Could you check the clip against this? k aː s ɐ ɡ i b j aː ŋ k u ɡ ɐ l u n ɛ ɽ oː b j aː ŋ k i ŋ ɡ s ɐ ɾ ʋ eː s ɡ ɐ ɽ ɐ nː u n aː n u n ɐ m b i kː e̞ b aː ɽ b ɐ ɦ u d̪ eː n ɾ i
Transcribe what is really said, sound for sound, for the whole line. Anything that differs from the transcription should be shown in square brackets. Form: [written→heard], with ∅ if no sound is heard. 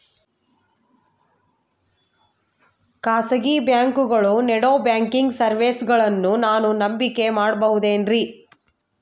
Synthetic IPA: k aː s ɐ ɡ i b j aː ŋ k u ɡ ɐ [l→ɭ] u n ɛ ɽ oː b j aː ŋ k i ŋ ɡ s ɐ ɾ ʋ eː s ɡ ɐ [ɽ→ɭ] ɐ nː u n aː n u n ɐ m b i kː e̞ [b→m] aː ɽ b ɐ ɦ u d̪ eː n ɾ i